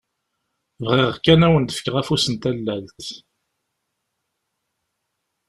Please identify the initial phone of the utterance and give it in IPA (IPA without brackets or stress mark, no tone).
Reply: v